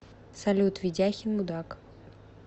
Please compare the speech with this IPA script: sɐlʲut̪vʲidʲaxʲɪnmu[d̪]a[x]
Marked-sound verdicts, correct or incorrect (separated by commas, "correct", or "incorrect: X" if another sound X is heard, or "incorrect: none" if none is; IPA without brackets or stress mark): correct, incorrect: k